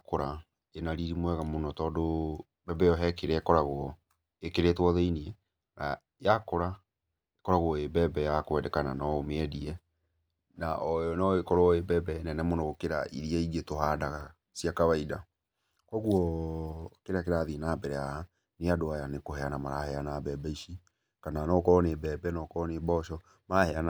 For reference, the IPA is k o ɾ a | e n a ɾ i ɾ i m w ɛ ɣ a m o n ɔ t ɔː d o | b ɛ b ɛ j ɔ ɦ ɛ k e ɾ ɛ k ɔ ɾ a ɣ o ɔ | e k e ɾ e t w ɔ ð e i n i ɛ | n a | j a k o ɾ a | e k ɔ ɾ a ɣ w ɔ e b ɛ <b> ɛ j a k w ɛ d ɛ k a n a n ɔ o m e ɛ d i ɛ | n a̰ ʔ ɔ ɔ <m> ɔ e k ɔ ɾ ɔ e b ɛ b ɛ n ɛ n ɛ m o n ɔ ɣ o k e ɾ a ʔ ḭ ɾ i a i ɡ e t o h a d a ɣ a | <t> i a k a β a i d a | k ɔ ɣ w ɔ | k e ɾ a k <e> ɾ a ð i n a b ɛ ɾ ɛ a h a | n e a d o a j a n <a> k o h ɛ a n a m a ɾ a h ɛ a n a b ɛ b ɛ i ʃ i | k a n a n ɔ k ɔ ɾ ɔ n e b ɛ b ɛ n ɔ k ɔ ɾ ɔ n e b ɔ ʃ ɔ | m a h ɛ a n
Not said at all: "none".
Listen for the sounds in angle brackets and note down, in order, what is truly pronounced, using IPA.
b, n, s, e, e

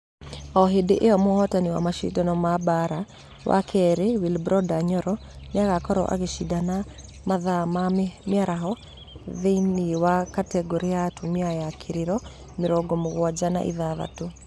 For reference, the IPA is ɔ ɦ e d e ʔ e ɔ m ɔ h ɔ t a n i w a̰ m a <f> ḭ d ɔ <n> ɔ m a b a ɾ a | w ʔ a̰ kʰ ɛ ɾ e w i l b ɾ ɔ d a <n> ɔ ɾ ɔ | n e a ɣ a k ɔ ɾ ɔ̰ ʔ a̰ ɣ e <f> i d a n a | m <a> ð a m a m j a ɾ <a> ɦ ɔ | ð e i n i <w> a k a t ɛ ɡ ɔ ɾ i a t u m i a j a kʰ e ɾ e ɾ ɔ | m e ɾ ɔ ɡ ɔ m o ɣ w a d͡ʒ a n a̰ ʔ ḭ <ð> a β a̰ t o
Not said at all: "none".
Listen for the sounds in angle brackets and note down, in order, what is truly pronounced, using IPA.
ʃ, n, ɲ, ʃ, a, a, w, ð

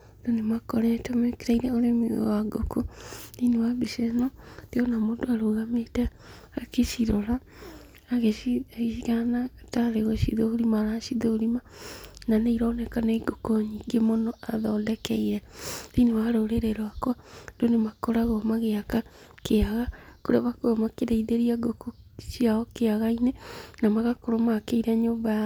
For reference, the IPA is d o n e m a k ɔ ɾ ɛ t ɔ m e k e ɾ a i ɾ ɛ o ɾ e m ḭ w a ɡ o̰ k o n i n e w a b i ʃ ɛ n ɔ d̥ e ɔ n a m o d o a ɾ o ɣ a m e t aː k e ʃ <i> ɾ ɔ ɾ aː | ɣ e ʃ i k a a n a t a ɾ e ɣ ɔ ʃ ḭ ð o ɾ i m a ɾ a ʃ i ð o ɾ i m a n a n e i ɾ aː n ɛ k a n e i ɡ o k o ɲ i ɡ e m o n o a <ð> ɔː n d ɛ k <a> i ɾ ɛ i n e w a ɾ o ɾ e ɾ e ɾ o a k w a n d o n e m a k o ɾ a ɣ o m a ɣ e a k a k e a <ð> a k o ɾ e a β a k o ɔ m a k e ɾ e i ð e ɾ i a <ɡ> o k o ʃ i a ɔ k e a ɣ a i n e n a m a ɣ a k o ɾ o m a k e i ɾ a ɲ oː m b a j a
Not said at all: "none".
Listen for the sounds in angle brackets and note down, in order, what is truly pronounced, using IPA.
i, ð, ɛ, ɣ, ɡ

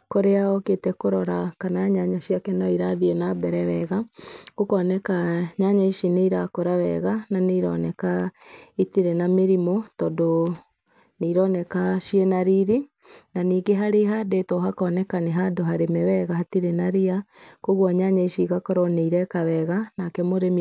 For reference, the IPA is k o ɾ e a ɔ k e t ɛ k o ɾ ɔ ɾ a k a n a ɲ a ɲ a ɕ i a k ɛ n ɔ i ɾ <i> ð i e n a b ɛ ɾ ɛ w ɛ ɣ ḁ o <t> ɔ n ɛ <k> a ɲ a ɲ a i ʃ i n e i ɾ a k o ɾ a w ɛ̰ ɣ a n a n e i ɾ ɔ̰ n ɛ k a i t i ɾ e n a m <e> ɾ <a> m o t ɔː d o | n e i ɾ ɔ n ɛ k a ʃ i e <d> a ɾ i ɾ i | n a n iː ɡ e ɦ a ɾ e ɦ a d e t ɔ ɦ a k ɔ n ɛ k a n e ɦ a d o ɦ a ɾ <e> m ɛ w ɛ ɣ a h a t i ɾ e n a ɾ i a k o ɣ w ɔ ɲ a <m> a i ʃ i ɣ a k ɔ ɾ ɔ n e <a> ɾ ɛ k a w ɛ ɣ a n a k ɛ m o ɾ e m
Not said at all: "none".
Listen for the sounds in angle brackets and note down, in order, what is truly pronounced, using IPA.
a, k, k, e, i, n, e, ɲ, i

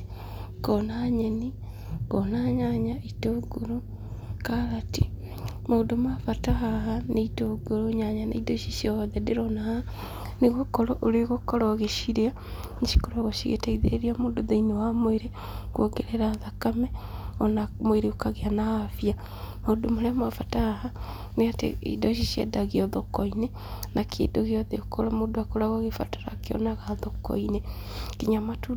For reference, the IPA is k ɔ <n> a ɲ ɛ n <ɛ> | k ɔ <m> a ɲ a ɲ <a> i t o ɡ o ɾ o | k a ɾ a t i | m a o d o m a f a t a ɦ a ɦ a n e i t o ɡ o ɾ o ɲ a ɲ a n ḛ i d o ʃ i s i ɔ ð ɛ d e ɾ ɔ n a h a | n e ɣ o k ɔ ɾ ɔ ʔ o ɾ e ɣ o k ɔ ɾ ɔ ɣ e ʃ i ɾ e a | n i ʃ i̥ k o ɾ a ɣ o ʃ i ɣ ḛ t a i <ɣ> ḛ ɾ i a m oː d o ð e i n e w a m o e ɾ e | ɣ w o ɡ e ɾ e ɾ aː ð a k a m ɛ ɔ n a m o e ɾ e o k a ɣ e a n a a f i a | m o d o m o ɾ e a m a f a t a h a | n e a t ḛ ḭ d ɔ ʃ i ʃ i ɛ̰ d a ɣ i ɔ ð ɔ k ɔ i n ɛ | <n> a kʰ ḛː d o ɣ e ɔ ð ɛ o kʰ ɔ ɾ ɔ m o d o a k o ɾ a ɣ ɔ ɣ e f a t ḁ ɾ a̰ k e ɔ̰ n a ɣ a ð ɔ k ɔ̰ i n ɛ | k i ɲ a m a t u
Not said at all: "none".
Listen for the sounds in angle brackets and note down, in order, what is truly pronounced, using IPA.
n, i, n, a, ð, n

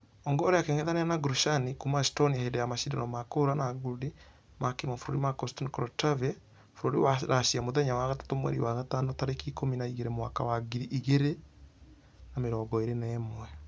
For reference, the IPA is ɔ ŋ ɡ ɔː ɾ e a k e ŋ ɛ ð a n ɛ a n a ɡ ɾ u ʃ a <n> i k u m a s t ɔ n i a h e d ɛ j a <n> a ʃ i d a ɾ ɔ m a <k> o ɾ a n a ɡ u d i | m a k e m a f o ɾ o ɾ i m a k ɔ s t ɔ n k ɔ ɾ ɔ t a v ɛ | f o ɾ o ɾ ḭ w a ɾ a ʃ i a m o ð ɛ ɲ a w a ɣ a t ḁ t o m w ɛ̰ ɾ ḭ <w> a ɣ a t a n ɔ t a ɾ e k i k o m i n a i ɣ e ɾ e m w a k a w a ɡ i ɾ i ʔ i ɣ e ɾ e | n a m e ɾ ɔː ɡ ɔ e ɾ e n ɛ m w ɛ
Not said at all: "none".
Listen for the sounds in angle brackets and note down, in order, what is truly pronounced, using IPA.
n, m, k, w

